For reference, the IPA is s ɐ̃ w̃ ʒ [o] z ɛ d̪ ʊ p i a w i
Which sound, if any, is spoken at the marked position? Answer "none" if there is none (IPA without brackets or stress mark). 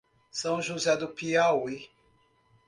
u